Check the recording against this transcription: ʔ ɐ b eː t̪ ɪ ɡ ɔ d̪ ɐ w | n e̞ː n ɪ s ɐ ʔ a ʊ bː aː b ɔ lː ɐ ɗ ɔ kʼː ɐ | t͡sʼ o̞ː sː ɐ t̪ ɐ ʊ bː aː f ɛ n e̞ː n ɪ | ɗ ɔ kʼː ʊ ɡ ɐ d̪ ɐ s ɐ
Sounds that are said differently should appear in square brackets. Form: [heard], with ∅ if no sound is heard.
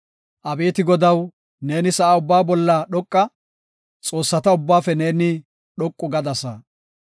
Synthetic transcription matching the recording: ʔ ɐ b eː t̪ ɪ ɡ ɔ d̪ ɐ w | n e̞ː n ɪ s ɐ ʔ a ʊ bː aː b ɔ lː ɐ ɗ ɔ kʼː ɐ | t͡sʼ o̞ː sː ɐ t̪ ɐ ʊ bː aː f ɛ n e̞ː n ɪ | ɗ ɔ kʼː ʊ ɡ ɐ d̪ ɐ s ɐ